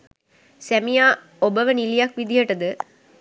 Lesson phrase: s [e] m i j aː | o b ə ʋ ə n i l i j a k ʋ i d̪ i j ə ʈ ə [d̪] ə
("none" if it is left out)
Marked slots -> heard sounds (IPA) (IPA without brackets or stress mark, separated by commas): æ, d̪